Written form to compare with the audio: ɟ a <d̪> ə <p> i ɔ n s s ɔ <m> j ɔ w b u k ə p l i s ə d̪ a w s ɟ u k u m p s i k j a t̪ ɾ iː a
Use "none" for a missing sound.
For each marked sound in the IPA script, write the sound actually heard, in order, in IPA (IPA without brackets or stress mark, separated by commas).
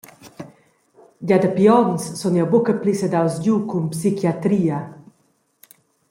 d̪, p, n